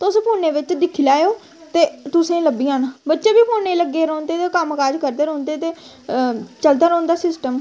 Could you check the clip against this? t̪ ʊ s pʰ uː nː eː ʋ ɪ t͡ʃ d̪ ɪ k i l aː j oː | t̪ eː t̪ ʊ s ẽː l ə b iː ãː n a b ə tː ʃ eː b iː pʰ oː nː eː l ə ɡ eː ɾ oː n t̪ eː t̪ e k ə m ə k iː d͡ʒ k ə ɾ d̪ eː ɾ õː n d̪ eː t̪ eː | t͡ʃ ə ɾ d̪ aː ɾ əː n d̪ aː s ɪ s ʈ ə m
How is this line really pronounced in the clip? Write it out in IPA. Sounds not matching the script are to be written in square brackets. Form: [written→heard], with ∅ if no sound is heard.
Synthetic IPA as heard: t̪ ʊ s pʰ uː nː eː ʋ ɪ t͡ʃ d̪ ɪ [k→kʰ] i l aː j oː | t̪ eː t̪ ʊ s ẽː l ə b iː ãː n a b ə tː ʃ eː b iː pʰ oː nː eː l ə ɡ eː ɾ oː n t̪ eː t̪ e k ə m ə k [iː→aː] d͡ʒ k ə ɾ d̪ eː ɾ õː n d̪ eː t̪ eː | t͡ʃ ə [ɾ→l] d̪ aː ɾ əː n d̪ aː s ɪ s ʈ ə m